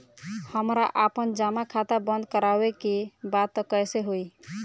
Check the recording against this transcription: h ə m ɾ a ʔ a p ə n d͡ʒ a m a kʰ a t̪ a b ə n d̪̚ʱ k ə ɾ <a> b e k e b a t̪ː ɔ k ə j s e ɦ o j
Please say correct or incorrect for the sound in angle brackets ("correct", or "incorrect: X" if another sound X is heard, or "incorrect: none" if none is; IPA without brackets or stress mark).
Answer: correct